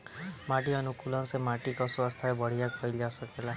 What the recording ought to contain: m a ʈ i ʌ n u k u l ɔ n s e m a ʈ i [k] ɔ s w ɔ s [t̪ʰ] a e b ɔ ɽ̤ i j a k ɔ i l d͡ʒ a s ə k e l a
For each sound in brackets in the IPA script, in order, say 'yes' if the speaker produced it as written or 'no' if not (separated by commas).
yes, yes